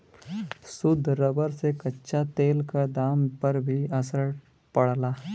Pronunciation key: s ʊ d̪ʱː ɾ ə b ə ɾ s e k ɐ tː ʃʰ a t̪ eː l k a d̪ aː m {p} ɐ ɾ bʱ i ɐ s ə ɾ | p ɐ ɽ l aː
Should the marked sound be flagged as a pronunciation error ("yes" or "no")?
no